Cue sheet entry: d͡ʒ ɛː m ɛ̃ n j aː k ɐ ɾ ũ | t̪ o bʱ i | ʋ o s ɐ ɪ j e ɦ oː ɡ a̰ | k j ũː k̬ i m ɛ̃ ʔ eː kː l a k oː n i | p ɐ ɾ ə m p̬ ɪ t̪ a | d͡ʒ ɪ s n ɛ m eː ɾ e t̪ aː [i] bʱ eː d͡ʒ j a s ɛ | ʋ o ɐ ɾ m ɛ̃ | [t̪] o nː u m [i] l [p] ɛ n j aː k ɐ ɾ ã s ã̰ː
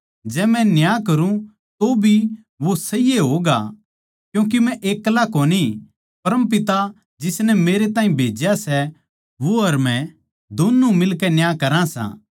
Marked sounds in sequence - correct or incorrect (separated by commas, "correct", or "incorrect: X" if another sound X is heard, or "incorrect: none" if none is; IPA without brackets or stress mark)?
incorrect: ĩ, incorrect: d̪, incorrect: ɪ, incorrect: k